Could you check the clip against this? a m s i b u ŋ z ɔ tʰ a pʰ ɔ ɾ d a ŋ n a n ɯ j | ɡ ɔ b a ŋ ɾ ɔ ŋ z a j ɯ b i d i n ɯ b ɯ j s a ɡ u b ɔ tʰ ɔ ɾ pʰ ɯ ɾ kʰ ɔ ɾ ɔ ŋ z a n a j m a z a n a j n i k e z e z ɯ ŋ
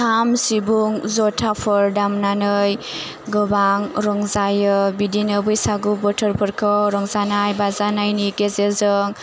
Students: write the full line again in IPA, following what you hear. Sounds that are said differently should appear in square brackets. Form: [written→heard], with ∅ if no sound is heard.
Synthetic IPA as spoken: a m s i b u ŋ z ɔ tʰ a pʰ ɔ ɾ d a [ŋ→m] n a n ɯ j | ɡ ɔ b a ŋ ɾ ɔ ŋ z a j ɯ b i d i n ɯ b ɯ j s a ɡ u b ɔ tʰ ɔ ɾ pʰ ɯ ɾ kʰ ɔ ɾ ɔ ŋ z a n a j [m→b] a z a n a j n i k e z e z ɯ ŋ